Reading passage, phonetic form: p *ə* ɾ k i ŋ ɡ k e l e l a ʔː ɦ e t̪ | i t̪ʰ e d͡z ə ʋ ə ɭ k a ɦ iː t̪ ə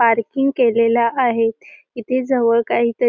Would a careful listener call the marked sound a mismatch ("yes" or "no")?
yes